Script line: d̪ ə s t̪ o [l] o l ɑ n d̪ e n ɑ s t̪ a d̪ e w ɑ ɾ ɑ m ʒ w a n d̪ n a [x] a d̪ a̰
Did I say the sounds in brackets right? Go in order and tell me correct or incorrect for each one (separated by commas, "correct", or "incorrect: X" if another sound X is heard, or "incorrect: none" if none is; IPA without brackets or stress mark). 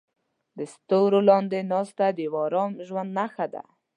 incorrect: ɾ, correct